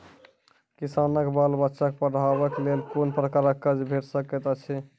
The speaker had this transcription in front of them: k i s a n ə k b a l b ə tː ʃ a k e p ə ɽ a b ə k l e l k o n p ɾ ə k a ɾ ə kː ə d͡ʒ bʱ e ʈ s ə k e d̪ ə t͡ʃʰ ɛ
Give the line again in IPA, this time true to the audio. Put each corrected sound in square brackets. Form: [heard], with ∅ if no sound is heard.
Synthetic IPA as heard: k i s a n ə k b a l b ə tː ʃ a k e p ə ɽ a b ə k l e l k o n p ɾ ə k a ɾ ə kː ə d͡ʒ bʱ e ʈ s ə k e [t̪] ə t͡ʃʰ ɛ